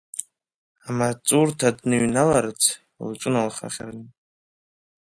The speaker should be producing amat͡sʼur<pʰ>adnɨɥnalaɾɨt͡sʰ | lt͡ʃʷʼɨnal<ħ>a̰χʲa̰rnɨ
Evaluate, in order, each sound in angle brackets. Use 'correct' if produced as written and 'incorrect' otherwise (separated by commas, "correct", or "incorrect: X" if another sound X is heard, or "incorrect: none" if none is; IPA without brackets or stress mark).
incorrect: tʰ, incorrect: χ